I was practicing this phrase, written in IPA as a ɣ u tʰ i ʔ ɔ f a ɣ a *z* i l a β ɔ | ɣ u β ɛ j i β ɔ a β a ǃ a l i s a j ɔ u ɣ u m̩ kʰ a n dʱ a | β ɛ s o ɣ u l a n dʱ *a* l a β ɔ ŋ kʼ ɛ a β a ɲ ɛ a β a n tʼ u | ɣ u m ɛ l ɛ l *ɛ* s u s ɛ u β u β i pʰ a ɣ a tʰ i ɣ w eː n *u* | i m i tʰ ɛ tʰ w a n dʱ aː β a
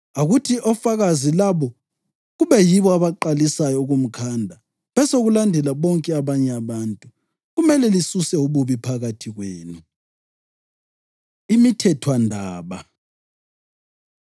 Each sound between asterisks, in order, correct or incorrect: correct, incorrect: ɛ, incorrect: i, correct

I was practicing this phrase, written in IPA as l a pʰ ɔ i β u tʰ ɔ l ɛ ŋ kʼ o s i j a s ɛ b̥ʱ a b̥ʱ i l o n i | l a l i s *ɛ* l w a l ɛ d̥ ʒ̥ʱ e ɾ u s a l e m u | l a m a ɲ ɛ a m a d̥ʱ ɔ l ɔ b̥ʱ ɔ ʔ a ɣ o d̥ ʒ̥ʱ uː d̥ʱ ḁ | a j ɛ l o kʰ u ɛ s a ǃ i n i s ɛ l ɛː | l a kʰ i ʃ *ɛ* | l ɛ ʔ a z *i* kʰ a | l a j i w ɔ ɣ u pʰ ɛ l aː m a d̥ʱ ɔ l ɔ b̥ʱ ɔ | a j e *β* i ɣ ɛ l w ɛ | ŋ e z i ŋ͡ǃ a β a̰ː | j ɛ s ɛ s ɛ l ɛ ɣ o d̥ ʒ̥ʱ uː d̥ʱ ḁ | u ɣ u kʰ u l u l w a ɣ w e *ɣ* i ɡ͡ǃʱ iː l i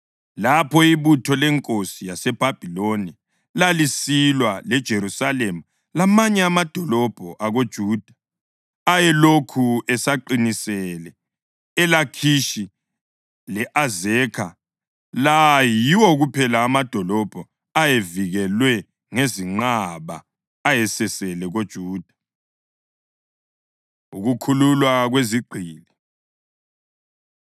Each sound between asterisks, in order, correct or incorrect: incorrect: i, incorrect: i, incorrect: ɛ, incorrect: v, incorrect: z

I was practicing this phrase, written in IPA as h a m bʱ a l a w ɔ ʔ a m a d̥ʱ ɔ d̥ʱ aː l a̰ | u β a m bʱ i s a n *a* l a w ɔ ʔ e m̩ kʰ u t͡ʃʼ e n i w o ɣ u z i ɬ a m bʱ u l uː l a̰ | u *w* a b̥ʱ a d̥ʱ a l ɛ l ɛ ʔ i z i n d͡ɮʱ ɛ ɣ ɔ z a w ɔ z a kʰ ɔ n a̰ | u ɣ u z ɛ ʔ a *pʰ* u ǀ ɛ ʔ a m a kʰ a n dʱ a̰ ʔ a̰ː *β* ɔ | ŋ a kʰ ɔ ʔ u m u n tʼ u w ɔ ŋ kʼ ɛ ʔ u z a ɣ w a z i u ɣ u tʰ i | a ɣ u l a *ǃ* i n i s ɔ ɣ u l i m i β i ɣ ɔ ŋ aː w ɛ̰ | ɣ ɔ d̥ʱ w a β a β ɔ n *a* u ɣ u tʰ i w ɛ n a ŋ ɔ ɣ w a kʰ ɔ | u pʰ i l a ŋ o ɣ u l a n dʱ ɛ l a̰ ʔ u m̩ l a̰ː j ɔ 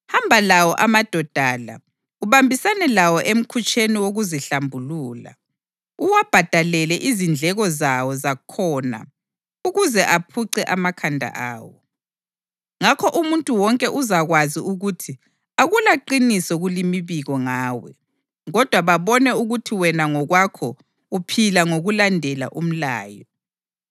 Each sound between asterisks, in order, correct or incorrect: incorrect: ɛ, correct, correct, incorrect: w, correct, incorrect: ɛ

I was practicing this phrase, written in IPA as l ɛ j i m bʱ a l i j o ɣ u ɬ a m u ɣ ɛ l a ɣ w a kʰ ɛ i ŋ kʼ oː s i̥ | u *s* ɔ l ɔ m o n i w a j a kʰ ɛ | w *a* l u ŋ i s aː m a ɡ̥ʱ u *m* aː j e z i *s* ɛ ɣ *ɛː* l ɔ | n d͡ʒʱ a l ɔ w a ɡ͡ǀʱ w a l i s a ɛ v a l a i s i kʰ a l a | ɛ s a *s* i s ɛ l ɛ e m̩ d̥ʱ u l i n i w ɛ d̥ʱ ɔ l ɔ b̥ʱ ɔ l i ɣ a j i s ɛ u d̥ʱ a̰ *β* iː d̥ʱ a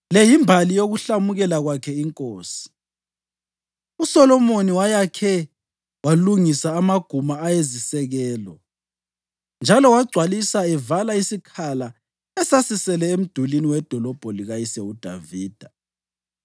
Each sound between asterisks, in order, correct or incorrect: correct, correct, correct, correct, correct, correct, incorrect: v

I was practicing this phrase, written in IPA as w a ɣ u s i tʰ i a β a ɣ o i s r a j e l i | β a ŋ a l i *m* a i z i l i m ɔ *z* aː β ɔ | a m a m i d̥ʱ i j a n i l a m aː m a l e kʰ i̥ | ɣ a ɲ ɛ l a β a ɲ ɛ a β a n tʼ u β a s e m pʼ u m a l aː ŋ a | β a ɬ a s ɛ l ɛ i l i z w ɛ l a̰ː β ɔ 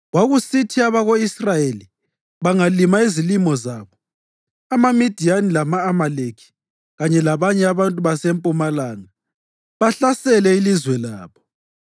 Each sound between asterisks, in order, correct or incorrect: correct, correct

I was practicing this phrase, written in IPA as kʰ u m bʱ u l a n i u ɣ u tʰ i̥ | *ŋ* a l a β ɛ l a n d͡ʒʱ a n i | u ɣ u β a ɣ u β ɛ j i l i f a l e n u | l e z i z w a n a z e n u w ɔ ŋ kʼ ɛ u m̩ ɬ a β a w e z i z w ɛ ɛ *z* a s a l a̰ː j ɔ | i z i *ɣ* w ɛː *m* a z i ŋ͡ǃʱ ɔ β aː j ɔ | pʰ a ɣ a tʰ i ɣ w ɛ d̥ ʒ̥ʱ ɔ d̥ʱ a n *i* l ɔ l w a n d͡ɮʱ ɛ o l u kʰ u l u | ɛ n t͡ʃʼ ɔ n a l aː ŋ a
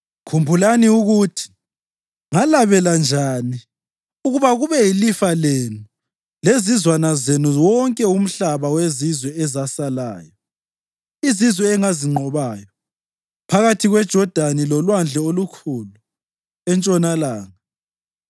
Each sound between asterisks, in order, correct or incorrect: correct, correct, incorrect: z, incorrect: ŋ, correct

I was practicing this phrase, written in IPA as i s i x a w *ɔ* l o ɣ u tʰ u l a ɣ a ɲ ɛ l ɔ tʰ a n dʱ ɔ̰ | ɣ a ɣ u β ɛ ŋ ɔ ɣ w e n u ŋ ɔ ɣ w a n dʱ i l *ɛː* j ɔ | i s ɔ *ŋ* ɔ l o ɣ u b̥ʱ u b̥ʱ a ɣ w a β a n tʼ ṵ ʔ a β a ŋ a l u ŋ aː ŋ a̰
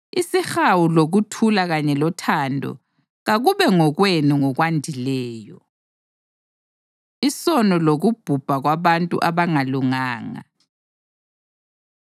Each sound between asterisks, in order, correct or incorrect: incorrect: u, correct, incorrect: n

